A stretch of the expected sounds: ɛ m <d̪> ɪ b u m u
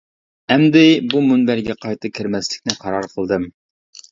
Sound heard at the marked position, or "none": d̪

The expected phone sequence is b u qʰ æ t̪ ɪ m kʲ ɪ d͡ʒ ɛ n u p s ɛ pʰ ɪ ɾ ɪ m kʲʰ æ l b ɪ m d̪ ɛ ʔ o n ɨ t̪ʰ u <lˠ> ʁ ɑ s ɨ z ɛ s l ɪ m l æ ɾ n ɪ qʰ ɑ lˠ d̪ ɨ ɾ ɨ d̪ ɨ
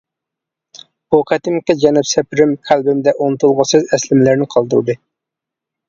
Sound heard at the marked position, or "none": lˠ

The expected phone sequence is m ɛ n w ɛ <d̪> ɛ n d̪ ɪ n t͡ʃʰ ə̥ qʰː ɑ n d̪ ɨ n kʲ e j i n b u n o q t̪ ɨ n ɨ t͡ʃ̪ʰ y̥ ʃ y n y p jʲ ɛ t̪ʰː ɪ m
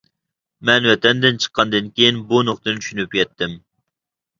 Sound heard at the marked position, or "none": t̪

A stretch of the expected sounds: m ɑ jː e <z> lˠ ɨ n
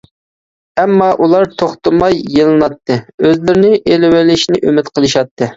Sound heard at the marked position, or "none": none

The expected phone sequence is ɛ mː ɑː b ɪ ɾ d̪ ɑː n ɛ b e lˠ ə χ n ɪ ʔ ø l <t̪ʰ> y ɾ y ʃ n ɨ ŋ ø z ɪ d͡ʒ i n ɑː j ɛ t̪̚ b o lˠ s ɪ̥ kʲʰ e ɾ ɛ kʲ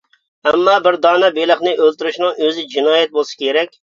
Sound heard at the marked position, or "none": t̪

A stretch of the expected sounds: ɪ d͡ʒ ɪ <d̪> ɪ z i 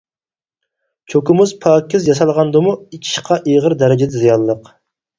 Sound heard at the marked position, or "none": d̪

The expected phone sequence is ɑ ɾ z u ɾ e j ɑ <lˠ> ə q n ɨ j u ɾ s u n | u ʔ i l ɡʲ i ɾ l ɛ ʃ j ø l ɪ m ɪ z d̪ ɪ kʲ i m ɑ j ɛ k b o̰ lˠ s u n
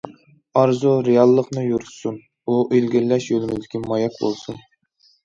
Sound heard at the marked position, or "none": lˠː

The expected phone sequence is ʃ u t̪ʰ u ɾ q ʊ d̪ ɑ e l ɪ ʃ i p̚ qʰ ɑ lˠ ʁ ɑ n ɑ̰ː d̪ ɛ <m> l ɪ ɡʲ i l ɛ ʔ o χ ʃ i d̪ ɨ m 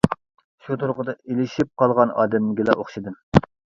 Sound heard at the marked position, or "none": m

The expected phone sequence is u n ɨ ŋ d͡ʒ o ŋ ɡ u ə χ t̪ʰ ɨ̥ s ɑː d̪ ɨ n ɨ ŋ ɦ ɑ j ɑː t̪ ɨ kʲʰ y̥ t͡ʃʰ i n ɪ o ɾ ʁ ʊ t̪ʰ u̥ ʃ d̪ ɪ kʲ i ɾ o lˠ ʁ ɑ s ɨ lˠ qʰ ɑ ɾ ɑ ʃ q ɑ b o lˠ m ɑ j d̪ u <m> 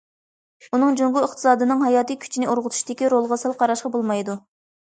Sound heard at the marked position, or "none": none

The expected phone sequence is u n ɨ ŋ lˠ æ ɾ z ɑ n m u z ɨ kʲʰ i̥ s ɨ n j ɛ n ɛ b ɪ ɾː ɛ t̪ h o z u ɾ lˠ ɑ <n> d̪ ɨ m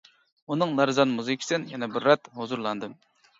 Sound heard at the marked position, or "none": n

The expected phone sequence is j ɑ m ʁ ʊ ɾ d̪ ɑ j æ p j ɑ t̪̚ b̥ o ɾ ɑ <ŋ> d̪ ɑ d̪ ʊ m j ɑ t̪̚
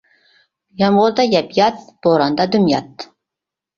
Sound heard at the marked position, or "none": n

